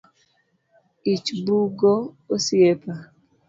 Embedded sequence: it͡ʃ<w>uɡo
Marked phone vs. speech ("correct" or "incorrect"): incorrect